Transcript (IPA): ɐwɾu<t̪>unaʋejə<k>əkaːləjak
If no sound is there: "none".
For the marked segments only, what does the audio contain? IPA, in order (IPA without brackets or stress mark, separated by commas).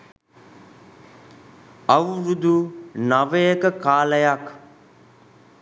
d̪, k